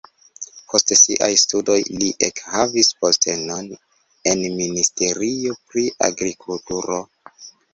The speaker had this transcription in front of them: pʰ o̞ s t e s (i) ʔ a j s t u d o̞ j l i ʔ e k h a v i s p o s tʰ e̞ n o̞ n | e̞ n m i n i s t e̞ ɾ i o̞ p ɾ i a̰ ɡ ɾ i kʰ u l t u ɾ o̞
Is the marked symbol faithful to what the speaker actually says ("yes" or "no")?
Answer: yes